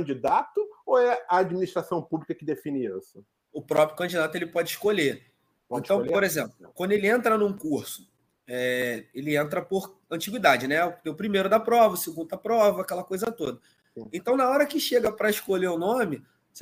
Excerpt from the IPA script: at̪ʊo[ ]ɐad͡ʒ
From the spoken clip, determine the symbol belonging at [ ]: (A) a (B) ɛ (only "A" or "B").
B